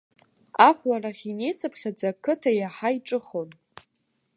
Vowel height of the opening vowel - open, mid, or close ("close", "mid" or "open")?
open